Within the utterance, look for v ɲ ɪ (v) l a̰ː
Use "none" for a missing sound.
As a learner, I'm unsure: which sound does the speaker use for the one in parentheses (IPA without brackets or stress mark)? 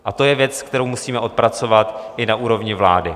v